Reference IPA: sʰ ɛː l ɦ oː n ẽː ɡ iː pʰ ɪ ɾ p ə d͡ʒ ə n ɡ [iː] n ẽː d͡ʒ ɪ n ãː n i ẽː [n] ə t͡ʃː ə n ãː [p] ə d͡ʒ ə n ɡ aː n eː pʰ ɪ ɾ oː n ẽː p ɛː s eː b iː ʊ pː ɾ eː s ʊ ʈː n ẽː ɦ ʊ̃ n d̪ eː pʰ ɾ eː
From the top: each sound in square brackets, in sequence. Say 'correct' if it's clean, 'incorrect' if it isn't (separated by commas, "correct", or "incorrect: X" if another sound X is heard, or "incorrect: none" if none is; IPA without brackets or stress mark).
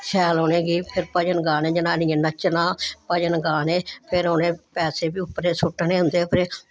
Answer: incorrect: aː, correct, correct